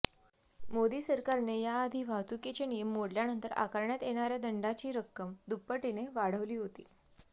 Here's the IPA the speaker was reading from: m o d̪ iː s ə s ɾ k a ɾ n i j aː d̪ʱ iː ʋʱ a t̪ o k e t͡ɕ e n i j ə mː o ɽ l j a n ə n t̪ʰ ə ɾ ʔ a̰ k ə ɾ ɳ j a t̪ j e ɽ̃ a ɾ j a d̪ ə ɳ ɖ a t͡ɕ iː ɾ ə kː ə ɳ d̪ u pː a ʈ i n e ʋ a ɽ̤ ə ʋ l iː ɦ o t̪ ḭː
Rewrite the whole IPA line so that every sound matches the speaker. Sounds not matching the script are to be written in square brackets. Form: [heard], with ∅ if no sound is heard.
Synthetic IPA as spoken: m o d̪ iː s ə [∅] ɾ k a ɾ n [e] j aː d̪ʱ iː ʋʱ a t̪ [u] k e t͡ɕ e n i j ə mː o ɽ l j a n ə n [t̪] ə ɾ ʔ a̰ k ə ɾ ɳ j a t̪ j e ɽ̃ a ɾ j a d̪ ə ɳ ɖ a t͡ɕ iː ɾ ə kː ə [m] d̪ u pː [ə] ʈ i n e ʋ a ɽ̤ ə ʋ l iː ɦ o t̪ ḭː